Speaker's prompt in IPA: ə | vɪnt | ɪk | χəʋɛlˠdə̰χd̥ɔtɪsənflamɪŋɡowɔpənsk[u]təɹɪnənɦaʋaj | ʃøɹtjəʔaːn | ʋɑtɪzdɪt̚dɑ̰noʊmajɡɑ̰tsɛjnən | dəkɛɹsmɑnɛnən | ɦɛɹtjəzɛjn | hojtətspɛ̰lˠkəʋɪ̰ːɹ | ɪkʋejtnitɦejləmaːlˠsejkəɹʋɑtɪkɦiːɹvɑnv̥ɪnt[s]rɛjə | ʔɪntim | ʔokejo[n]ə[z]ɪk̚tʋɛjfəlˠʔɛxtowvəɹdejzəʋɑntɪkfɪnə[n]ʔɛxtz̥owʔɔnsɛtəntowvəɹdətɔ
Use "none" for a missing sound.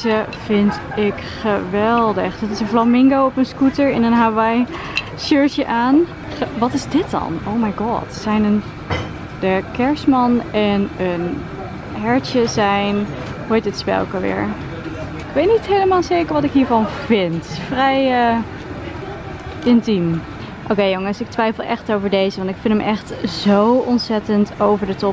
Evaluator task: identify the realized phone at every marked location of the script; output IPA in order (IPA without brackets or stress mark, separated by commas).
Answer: u, f, ŋ, s, m